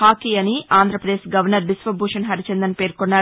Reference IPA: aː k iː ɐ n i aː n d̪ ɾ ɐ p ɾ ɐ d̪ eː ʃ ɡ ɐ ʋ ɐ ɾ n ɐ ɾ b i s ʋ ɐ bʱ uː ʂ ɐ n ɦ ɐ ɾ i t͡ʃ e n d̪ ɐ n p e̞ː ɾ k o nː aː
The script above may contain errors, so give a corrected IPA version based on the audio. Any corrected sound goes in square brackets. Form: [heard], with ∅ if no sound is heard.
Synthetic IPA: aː k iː ɐ n i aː n d̪ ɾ ɐ p ɾ ɐ d̪ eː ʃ ɡ ɐ ʋ ɐ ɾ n ɐ ɾ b i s ʋ ɐ bʱ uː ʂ ɐ n ɦ ɐ ɾ i t͡ʃ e n d̪ ɐ n p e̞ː ɾ k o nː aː